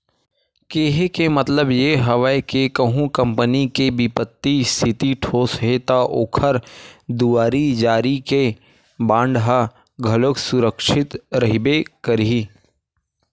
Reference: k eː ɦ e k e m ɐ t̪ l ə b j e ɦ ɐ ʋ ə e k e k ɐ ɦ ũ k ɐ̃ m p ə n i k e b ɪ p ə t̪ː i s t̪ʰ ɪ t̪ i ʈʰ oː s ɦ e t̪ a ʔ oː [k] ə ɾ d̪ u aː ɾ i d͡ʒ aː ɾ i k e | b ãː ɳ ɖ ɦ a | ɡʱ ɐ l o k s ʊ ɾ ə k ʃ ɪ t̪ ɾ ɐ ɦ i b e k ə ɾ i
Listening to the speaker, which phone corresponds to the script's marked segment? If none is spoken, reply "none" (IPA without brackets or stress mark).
kʰ